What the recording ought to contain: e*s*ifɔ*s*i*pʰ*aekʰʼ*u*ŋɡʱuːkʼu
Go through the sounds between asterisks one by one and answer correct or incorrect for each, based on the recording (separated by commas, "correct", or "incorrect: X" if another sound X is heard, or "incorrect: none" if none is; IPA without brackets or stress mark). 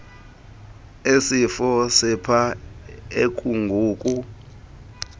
correct, correct, correct, correct